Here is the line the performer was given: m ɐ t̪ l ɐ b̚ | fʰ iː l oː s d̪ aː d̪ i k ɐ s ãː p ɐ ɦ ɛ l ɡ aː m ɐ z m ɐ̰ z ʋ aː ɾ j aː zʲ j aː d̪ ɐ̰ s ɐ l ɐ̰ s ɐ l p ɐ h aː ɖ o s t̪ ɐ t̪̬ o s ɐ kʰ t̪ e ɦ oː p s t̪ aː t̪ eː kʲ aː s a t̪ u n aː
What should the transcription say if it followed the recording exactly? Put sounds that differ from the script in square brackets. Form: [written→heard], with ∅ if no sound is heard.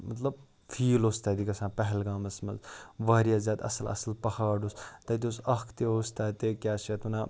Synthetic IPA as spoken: m ɐ t̪ l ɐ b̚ | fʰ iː l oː s [d̪→t̪] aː d̪ i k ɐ s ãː p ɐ ɦ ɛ l ɡ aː m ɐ [z→s] m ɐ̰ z ʋ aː ɾ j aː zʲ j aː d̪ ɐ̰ s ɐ l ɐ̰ s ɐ l p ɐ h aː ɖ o s t̪ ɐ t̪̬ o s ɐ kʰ t̪ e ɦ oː [p→∅] s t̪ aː t̪ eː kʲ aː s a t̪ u n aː

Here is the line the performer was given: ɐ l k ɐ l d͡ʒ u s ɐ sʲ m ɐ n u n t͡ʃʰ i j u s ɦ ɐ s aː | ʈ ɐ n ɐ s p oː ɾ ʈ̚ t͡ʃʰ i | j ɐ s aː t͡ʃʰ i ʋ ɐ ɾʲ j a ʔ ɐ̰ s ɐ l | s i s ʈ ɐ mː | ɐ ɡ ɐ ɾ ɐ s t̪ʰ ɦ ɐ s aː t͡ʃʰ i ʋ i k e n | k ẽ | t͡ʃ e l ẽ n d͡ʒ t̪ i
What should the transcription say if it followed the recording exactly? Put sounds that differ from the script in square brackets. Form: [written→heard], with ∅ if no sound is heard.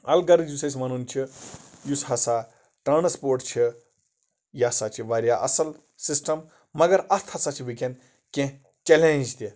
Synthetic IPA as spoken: ɐ l [k→ɡ] ɐ [l→ɾ] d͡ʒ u s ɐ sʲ m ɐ n u n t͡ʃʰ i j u s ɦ ɐ s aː | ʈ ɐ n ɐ s p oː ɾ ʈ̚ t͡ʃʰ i | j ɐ s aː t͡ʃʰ i ʋ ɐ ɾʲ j a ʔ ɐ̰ s ɐ l | s i s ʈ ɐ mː | ɐ ɡ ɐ ɾ ɐ s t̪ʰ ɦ ɐ s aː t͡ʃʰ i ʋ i k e n | k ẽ | t͡ʃ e l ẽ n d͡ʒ t̪ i

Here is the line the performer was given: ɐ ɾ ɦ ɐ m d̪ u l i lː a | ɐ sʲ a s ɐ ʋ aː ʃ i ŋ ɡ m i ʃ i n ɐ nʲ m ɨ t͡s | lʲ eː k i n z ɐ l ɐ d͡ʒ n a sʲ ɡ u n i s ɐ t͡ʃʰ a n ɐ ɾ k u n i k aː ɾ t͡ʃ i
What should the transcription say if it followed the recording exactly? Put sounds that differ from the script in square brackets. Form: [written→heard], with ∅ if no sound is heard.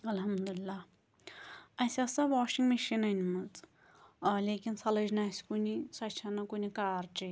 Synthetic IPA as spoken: ɐ [ɾ→l] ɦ ɐ m d̪ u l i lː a | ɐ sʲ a s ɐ ʋ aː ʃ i ŋ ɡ m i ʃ i n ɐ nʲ m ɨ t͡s | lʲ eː k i n [z→s] ɐ l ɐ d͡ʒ n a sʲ [ɡ→k] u n i s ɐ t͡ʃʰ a n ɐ [ɾ→∅] k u n i k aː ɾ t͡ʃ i

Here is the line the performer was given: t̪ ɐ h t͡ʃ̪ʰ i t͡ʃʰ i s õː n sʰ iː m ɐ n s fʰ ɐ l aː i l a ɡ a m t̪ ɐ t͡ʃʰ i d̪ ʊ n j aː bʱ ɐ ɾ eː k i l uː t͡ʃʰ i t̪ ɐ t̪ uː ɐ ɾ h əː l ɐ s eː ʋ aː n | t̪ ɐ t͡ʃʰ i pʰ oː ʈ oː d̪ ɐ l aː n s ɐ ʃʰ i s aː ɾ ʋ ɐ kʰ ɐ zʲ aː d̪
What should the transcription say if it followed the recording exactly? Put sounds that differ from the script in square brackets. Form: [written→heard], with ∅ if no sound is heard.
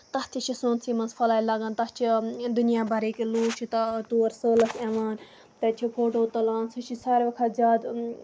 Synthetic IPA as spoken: t̪ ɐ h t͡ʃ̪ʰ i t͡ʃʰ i s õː n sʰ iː m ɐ n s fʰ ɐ l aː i l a ɡ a [m→n] t̪ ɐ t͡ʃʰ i d̪ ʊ n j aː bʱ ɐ ɾ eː k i l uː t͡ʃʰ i t̪ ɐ t̪ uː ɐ ɾ [h→s] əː l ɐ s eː ʋ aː n | t̪ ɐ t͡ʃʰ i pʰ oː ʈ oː [d̪→t̪] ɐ l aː n s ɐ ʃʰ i s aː ɾ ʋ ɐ kʰ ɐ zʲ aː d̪

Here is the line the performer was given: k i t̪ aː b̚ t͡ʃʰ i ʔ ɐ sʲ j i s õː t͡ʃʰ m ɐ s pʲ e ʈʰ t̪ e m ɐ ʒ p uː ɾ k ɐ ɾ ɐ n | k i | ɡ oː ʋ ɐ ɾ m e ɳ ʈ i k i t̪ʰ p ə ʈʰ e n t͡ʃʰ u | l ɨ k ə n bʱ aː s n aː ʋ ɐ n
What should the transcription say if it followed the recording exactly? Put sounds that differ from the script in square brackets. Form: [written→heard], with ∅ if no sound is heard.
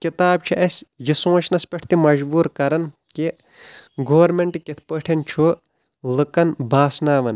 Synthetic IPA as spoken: k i t̪ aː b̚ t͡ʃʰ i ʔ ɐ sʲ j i s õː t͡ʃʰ [m→n] ɐ s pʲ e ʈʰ t̪ [e→i] m ɐ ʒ [p→b] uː ɾ k ɐ ɾ ɐ n | k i | ɡ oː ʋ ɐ ɾ m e ɳ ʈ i k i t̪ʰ p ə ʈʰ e n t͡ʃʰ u | l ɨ k [ə→ɐ] n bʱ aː s n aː ʋ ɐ n

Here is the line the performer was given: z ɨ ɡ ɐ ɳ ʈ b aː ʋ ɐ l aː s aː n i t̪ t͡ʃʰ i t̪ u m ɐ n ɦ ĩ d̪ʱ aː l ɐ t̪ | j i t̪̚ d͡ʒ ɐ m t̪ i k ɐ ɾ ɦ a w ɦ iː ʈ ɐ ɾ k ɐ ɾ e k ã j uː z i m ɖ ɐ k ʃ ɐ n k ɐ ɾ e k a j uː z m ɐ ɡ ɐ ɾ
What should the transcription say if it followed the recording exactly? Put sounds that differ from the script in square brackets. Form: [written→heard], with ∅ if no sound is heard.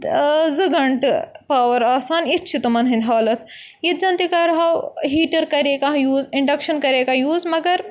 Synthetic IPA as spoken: z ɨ ɡ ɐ ɳ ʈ [b→p] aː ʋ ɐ [l→ɾ] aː s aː n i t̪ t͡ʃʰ i t̪ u m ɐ n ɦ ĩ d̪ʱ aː l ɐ t̪ | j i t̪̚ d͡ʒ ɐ [m→n] t̪ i k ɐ ɾ ɦ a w ɦ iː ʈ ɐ ɾ k ɐ ɾ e k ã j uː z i [m→ɳ] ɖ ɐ k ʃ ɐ n k ɐ ɾ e k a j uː z m ɐ ɡ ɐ ɾ

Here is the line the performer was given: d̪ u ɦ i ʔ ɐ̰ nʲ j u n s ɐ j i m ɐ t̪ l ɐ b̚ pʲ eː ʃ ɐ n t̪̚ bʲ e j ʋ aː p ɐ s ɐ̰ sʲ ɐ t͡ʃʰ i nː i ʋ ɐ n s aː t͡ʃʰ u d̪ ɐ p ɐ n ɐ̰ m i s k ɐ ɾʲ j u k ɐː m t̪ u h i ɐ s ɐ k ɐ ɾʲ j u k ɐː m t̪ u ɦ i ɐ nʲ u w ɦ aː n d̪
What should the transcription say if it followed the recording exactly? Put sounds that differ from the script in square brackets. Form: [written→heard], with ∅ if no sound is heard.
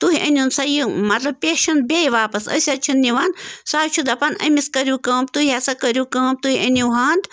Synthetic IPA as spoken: [d̪→t̪] u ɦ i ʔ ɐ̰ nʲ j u n s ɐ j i m ɐ t̪ l ɐ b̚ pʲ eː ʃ ɐ n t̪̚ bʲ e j ʋ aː p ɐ s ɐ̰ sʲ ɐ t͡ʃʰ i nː i ʋ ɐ n s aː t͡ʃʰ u d̪ ɐ p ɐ n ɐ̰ m i s k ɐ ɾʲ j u k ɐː m t̪ u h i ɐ s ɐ k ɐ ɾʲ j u k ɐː m t̪ u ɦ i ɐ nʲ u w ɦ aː n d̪

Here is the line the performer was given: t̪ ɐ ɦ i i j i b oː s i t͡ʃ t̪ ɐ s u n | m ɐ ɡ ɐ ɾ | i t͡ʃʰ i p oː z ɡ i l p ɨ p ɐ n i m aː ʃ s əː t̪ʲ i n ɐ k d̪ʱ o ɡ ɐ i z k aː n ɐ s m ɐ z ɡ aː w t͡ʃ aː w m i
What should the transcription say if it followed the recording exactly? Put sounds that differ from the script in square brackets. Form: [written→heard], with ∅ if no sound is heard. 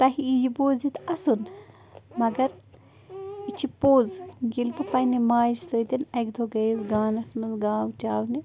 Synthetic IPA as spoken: t̪ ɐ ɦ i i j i b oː [s→z] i [t͡ʃ→∅] t̪ ɐ s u n | m ɐ ɡ ɐ ɾ | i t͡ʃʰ i p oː z ɡ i l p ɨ p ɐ n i m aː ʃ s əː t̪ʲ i n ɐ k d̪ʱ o ɡ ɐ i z [k→ɡ] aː n ɐ s m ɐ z ɡ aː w t͡ʃ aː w [m→n] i

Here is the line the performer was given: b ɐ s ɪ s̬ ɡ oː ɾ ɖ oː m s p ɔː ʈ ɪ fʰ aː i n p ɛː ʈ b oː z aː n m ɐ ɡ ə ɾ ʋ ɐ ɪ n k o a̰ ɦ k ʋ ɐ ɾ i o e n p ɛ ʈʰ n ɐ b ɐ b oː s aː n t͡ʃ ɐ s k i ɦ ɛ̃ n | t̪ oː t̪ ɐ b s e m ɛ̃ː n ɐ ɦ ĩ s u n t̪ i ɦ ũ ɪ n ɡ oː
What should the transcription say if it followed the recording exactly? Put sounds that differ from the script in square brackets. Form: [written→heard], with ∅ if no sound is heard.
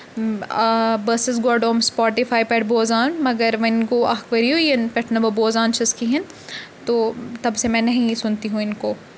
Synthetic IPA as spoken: b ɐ s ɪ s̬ ɡ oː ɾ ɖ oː m s p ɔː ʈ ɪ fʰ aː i [n→∅] p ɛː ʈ b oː z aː n m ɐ ɡ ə ɾ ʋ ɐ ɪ n k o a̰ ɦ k ʋ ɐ ɾ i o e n p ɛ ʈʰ n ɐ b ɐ b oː [s→z] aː n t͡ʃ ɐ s k i ɦ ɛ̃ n | t̪ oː t̪ ɐ b s e m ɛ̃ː n ɐ ɦ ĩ s [u→ʊ] n t̪ i ɦ ũ ɪ n [ɡ→k] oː

